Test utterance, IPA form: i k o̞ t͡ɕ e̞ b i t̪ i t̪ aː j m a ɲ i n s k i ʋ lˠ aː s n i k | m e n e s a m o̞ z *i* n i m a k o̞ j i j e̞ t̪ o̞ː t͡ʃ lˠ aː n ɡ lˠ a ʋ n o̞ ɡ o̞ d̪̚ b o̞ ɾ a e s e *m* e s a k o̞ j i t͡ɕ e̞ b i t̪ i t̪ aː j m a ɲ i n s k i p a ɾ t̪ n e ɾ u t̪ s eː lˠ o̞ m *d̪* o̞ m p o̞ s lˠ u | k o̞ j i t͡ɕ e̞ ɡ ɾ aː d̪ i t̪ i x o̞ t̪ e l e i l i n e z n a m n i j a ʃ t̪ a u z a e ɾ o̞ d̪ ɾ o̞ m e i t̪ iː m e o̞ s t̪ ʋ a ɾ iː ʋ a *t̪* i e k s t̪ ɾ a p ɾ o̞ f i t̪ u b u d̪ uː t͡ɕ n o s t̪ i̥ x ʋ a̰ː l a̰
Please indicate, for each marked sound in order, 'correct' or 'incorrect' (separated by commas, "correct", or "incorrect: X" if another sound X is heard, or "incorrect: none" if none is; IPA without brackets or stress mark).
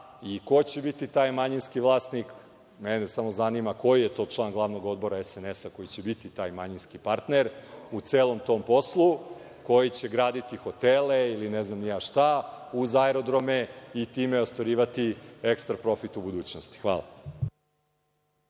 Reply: incorrect: a, incorrect: n, incorrect: t̪, correct